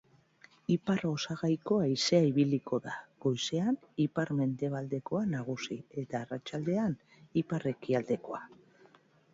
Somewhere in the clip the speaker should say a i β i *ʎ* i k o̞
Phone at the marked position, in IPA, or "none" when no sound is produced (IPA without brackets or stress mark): l